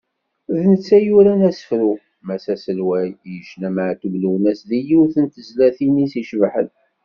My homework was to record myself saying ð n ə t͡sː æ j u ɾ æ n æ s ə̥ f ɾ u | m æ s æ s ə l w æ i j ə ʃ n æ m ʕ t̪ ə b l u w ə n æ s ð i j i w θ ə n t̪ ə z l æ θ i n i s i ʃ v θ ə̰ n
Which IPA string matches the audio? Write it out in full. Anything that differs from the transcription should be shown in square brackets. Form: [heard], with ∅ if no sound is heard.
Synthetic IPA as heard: ð n ə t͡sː æ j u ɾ æ n æ s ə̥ f ɾ u | m æ s æ s ə l w æ [j] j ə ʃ n æ m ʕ t̪ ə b l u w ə n æ s ð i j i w θ ə n t̪ ə z l æ θ i n i s i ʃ v [ħ] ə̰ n